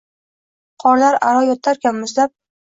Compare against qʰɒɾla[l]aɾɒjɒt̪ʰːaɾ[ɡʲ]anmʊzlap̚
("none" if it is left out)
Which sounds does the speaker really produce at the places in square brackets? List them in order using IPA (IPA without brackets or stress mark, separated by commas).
ɾ, kʲ